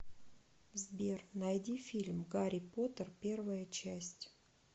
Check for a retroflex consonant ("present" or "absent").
absent